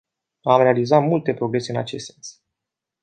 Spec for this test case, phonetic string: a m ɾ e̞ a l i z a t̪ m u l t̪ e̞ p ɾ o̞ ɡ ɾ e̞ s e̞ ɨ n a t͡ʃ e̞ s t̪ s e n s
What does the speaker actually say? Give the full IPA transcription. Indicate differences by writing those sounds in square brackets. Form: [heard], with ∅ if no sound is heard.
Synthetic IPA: a m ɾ e̞ a l i z a t̪ m u l t̪ e̞ p ɾ o̞ ɡ ɾ e̞ s e̞ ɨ n a t͡ʃ e̞ s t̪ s e n s